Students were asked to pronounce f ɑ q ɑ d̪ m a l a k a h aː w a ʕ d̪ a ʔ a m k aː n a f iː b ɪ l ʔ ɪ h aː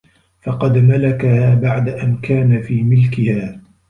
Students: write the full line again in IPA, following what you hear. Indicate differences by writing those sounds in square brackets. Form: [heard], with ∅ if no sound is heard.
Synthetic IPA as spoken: f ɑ q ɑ d̪ m a l a k a h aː [b] a ʕ d̪ a ʔ a [n] k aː n a f iː [m] ɪ l [k] ɪ h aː